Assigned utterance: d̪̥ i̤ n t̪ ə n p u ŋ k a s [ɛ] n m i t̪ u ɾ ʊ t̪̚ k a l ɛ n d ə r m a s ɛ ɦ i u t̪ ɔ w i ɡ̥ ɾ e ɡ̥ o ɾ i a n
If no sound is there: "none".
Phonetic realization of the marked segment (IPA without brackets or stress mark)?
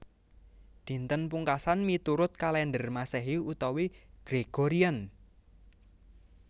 a